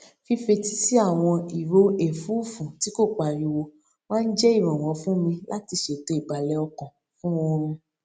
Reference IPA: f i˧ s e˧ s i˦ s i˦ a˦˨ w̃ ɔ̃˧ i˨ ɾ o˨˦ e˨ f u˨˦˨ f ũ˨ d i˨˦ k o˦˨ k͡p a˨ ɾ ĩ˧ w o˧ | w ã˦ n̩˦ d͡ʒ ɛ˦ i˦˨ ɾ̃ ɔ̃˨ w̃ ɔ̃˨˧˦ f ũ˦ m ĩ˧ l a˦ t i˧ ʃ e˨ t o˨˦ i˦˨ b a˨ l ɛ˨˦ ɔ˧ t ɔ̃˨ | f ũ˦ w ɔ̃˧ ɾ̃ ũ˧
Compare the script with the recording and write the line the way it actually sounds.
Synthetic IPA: f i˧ f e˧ t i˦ s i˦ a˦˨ w̃ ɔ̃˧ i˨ ɾ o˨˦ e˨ f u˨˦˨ f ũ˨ t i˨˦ k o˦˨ k͡p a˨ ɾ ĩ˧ w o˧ | w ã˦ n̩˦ d͡ʒ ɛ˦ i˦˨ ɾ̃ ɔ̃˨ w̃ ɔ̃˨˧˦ f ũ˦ m ĩ˧ l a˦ t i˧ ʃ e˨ t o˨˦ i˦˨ b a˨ l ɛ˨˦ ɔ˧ k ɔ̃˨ | f ũ˦ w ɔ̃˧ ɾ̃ ũ˧